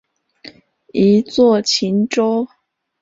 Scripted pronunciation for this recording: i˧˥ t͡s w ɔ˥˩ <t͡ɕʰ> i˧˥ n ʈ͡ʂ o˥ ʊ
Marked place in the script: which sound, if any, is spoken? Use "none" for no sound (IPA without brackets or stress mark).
t͡ɕʰ